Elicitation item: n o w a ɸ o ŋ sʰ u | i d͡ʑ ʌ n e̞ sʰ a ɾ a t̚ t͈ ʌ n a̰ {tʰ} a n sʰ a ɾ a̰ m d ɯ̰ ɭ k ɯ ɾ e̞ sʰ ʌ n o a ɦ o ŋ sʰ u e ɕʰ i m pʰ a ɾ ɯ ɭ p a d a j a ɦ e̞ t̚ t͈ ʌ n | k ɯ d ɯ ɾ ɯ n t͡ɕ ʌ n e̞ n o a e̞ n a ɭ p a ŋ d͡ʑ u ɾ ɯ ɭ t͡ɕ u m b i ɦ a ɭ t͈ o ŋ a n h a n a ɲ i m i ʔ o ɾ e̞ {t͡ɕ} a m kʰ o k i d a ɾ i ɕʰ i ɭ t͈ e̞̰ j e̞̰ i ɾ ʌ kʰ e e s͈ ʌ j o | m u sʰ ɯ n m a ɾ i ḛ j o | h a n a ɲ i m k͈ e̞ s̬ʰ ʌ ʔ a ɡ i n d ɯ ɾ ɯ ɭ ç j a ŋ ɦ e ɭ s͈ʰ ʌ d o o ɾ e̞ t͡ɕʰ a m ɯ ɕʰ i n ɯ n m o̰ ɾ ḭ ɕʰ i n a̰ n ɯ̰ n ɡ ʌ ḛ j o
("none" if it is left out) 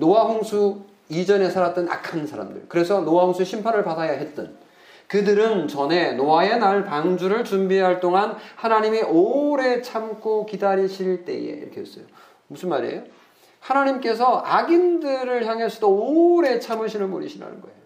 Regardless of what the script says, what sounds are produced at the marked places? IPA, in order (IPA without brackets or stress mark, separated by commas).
kʰ, t͡ɕʰ